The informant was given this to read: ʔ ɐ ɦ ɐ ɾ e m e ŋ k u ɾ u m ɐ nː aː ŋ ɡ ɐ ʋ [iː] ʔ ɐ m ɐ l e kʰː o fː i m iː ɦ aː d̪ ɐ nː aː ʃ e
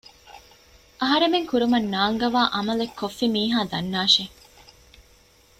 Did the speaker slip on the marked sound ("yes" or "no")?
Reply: yes